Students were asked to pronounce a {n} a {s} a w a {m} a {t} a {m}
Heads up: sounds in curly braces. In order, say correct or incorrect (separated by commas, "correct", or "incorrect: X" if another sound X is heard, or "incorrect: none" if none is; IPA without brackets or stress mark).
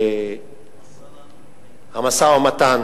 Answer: incorrect: m, correct, correct, correct, incorrect: n